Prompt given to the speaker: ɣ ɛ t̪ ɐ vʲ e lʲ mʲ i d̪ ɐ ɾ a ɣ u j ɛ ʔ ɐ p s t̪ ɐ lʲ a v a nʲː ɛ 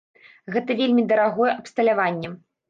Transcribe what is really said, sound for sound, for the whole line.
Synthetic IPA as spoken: ɣ ɛ t̪ ɐ vʲ e lʲ mʲ i d̪ ɐ ɾ a ɣ ɔ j ɛ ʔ ɐ p s t̪ ɐ lʲ a v a nʲː ɛ